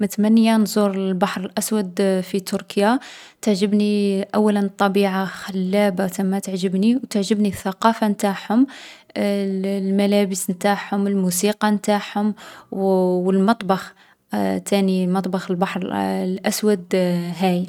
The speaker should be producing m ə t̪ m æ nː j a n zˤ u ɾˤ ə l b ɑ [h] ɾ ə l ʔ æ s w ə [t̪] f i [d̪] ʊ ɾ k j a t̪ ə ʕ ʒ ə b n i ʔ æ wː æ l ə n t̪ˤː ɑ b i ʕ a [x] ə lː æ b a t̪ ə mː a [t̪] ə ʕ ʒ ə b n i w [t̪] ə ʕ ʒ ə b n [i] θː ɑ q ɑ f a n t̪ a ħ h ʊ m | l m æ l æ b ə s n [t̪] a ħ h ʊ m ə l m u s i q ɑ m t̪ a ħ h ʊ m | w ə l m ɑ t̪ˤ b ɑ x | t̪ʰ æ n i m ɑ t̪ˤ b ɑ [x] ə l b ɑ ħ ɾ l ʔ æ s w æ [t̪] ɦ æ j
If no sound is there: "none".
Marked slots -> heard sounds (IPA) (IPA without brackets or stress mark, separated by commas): ħ, d̪, t̪, x, t̪, t̪, i, t̪, x, d̪